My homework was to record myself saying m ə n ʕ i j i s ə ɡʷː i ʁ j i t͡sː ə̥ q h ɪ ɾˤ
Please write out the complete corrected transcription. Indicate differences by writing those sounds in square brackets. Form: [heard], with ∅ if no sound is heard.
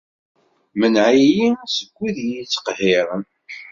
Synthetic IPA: m ə n ʕ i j i s ə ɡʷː i [ð] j i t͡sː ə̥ q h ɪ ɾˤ